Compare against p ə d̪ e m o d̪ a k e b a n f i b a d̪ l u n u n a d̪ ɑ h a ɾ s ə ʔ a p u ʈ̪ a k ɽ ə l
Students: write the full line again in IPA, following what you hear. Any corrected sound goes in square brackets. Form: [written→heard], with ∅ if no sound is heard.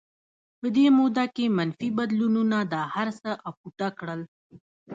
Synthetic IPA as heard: p ə d̪ e m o d̪ a k e [b→m] a n f i b a d̪ l u n u n a d̪ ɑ h a ɾ s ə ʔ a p u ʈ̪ a k ɽ ə l

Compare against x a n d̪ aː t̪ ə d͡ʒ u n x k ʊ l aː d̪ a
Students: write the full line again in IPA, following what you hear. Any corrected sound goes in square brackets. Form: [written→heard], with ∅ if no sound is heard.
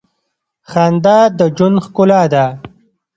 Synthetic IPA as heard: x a n d̪ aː [t̪→d̪] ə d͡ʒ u n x k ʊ l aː d̪ a

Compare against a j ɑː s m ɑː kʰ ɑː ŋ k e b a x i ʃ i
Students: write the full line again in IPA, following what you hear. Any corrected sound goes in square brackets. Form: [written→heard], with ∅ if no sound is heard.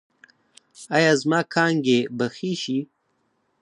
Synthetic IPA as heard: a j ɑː [s→z] m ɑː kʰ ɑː ŋ [k→ɡ] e b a x i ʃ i

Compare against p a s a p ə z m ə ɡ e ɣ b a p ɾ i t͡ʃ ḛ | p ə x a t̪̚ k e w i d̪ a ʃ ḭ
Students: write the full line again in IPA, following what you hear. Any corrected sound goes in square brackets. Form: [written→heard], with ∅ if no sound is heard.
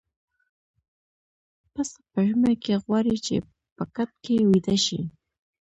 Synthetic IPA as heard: p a s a p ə [z→ʒ] m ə [ɡ→k] e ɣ [b→w] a [p→∅] ɾ i t͡ʃ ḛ | p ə [x→k] a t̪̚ k e w i d̪ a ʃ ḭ

